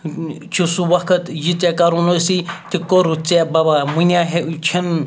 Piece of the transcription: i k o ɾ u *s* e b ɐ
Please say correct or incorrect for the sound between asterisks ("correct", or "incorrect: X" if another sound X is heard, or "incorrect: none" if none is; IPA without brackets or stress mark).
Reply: incorrect: t͡s